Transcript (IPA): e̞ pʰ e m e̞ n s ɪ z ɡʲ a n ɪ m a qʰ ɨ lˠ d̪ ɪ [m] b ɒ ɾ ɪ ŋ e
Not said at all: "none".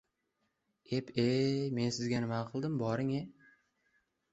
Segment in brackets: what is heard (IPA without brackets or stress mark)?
m